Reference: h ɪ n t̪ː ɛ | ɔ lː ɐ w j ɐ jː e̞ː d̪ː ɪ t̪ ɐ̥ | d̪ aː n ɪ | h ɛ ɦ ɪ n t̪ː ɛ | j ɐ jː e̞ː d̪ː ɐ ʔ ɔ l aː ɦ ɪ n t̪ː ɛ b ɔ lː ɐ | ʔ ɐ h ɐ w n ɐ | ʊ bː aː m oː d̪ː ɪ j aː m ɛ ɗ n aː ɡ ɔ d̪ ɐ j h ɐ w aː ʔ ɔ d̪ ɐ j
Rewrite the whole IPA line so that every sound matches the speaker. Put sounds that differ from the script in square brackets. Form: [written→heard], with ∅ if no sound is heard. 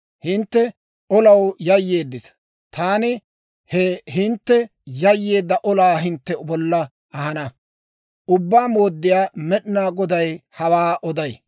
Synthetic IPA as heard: h ɪ n t̪ː ɛ | ɔ [lː→l] ɐ w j ɐ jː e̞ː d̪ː ɪ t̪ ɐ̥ | [d̪→t̪] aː n ɪ | h ɛ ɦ ɪ n t̪ː ɛ | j ɐ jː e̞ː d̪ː ɐ ʔ ɔ l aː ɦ ɪ n t̪ː ɛ b ɔ lː ɐ | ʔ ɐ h ɐ [w→∅] n ɐ | ʊ bː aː m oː d̪ː ɪ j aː m ɛ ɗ n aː ɡ ɔ d̪ ɐ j h ɐ w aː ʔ ɔ d̪ ɐ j